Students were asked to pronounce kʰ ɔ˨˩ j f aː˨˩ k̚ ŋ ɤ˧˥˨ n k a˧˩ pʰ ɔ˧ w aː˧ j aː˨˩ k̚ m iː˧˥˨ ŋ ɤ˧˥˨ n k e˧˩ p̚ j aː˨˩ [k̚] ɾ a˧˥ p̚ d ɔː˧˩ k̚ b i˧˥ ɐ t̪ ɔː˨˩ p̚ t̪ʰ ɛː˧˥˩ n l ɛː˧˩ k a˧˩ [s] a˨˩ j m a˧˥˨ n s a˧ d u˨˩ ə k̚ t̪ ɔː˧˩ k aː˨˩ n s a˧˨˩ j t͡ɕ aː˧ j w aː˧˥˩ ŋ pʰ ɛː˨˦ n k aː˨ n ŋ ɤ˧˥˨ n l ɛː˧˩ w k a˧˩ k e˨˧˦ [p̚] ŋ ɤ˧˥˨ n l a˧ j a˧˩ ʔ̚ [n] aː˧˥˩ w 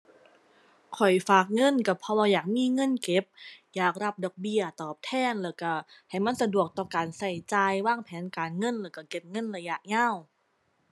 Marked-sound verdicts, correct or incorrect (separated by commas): correct, incorrect, correct, incorrect